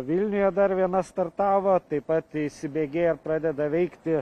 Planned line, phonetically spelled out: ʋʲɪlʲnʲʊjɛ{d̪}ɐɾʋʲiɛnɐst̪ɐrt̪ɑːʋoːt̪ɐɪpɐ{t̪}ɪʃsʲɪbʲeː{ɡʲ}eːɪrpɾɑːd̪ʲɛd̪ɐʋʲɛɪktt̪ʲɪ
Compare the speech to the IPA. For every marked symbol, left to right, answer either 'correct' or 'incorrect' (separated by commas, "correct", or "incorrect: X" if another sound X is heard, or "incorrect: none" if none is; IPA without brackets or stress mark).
correct, correct, correct